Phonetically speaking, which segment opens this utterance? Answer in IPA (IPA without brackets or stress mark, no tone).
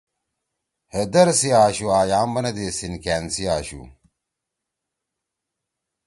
h